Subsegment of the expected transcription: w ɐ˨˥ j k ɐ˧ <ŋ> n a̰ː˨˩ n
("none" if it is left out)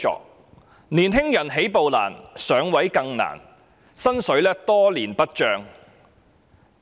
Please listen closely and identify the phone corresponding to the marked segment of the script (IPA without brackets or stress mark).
ŋ